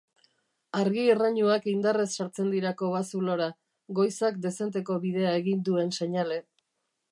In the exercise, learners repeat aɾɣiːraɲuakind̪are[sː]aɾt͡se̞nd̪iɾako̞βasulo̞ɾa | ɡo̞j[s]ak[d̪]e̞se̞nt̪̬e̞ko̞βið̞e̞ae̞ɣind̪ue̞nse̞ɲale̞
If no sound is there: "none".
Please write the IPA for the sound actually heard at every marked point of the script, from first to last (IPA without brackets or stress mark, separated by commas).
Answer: sː, s, d̪